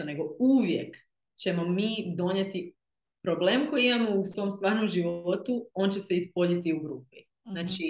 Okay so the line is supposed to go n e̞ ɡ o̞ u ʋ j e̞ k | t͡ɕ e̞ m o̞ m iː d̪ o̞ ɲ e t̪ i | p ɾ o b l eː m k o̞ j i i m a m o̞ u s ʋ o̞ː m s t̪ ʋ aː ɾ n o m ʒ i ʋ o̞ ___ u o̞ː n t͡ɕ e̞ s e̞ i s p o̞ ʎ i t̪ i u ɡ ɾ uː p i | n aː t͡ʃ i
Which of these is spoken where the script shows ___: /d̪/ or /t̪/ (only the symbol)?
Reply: t̪